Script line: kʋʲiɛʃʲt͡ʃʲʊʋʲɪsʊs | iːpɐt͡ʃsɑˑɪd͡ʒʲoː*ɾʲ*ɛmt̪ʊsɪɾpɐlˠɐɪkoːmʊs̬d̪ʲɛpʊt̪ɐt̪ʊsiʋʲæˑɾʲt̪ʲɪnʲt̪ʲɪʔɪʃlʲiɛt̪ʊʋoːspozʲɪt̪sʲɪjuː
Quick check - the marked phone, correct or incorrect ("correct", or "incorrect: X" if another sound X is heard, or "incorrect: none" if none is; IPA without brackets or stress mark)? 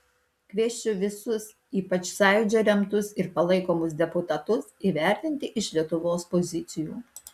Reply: correct